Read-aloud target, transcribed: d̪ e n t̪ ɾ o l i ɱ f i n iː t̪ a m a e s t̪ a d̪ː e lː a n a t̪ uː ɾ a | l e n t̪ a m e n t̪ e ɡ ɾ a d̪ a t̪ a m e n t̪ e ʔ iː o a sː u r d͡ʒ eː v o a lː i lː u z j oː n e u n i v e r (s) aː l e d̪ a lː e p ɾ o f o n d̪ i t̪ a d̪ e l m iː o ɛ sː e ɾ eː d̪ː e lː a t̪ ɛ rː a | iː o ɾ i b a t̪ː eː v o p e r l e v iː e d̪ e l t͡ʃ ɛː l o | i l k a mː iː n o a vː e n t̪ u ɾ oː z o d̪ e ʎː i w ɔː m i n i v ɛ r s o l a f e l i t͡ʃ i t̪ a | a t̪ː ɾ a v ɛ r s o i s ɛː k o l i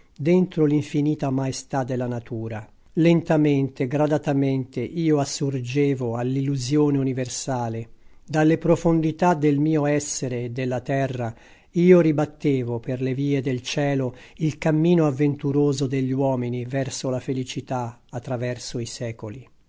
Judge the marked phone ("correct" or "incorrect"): correct